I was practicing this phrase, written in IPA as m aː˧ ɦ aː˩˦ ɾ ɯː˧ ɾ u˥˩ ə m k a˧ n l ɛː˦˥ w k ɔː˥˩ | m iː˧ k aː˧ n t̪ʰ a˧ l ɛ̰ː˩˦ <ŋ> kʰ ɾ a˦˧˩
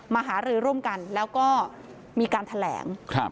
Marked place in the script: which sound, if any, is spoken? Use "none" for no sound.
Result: ŋ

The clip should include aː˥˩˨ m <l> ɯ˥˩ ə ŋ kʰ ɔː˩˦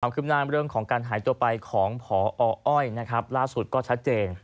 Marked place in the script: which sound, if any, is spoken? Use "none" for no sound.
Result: ɾ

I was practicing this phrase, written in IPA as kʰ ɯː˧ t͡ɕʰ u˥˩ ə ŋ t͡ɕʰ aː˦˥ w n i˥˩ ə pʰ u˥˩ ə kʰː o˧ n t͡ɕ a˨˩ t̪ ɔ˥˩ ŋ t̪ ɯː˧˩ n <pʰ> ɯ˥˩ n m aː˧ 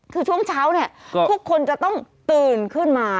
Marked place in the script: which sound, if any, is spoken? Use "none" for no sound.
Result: kʰ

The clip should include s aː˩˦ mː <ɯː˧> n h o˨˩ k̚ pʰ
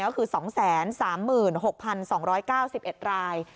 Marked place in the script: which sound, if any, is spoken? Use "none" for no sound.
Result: ɯː˨˩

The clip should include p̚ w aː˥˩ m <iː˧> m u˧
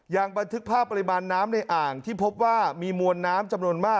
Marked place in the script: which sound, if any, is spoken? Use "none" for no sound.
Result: iː˧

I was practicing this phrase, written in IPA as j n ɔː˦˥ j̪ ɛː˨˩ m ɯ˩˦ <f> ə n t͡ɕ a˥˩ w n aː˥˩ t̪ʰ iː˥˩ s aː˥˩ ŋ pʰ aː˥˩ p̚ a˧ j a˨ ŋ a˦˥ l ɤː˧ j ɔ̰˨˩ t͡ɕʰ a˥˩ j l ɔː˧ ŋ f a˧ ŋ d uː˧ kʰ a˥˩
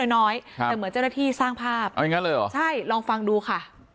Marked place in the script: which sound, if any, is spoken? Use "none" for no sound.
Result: none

